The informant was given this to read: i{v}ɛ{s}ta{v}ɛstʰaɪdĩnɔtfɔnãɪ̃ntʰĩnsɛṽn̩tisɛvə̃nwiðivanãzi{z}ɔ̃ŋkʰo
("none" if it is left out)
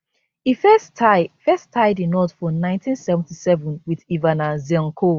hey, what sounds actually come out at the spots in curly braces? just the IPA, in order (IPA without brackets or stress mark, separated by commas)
f, s, f, none